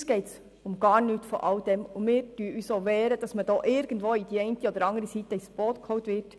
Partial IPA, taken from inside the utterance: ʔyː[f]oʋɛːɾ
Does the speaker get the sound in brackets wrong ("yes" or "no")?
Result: yes